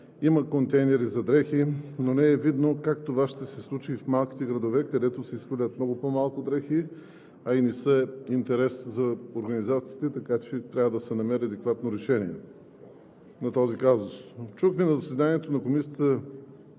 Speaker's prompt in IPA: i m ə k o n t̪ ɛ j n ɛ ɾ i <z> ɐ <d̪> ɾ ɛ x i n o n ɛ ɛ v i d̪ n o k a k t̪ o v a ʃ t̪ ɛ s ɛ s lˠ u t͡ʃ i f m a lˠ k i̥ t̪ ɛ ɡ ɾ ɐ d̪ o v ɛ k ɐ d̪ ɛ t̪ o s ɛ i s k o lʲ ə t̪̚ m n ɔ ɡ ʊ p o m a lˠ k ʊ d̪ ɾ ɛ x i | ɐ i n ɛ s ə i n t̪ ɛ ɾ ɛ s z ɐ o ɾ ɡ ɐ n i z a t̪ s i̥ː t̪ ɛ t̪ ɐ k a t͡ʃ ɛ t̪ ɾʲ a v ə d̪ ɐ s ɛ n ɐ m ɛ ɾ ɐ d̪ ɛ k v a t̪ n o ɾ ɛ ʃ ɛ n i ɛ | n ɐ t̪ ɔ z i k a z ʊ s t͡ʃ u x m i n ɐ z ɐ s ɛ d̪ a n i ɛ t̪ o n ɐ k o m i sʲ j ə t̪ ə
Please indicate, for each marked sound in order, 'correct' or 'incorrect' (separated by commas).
correct, correct